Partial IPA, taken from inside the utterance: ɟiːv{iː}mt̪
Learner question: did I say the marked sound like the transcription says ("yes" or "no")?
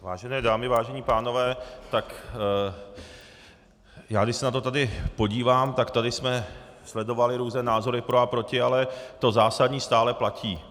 no